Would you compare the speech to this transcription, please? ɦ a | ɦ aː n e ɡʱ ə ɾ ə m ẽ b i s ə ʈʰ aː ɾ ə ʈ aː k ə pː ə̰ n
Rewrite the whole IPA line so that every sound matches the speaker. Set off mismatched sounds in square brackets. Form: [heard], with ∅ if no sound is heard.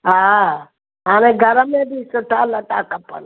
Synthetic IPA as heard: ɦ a | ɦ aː n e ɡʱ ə ɾ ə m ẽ b i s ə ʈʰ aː [l] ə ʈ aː k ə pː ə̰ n